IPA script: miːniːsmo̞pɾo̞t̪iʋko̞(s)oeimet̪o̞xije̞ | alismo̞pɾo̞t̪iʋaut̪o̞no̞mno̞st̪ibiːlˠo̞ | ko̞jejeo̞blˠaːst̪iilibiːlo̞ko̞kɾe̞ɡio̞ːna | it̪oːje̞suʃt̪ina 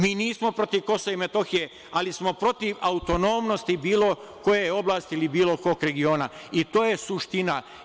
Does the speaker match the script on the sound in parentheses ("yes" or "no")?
yes